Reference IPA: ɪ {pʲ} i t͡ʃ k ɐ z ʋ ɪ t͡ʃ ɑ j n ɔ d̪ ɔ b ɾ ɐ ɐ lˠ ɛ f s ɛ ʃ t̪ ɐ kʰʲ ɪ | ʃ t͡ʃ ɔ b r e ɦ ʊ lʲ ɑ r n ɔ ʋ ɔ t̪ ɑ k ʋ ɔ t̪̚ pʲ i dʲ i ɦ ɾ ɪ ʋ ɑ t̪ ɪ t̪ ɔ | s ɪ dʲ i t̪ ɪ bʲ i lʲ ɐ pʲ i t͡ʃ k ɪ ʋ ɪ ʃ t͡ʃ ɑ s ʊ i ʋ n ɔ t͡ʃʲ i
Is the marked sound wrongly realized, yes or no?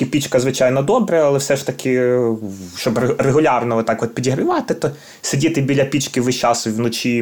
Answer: no